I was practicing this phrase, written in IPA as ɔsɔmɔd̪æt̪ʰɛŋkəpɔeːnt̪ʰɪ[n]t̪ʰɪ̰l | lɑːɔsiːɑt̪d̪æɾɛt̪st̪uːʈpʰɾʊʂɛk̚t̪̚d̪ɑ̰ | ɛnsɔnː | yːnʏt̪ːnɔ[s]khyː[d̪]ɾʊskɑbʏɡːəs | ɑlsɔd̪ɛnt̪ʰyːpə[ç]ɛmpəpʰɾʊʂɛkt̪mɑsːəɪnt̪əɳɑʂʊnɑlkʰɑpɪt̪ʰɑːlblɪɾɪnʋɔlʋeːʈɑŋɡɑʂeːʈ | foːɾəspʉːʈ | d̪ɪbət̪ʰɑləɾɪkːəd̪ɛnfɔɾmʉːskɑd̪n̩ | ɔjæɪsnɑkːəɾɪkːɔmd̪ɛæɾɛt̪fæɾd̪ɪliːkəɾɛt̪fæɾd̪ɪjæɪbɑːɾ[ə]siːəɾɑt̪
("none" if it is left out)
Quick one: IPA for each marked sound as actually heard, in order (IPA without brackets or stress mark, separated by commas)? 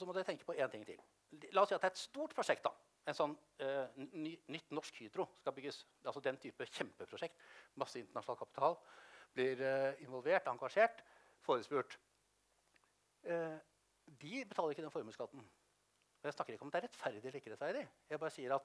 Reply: ŋ, ʂ, d̪, ç, ə